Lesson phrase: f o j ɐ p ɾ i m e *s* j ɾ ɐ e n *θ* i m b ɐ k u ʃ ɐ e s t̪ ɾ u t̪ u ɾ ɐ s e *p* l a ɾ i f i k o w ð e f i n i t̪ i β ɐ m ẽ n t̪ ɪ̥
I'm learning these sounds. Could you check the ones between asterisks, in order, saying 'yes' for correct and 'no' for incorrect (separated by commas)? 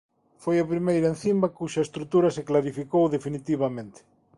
no, yes, no